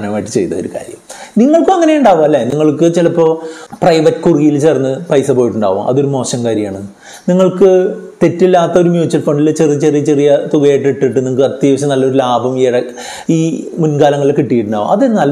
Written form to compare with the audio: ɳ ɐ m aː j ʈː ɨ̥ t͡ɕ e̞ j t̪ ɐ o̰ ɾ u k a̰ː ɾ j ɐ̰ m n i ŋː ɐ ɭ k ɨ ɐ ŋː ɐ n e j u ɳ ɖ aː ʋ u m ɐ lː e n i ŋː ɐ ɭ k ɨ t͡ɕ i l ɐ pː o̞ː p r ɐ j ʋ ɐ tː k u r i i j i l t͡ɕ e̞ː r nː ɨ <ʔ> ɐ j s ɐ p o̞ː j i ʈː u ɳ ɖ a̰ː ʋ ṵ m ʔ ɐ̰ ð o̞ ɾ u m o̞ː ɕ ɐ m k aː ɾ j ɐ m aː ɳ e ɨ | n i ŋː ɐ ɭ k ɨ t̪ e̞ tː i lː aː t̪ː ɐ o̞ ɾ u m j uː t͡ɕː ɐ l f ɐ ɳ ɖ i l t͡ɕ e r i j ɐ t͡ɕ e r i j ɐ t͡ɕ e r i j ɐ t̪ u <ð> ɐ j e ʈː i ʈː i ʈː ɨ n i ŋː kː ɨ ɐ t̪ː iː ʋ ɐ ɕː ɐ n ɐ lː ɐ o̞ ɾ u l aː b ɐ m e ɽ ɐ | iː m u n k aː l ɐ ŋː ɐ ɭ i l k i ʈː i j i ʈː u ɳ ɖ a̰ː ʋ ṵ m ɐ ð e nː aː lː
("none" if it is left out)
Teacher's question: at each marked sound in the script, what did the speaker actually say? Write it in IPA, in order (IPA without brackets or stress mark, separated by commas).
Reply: p, ɣ